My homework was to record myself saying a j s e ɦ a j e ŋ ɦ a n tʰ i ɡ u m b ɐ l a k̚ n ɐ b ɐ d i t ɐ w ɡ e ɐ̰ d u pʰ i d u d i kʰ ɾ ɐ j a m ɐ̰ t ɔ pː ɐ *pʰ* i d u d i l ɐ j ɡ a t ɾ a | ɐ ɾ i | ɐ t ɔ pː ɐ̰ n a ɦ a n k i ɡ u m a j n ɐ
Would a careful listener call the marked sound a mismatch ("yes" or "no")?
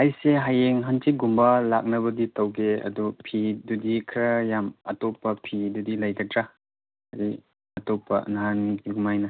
no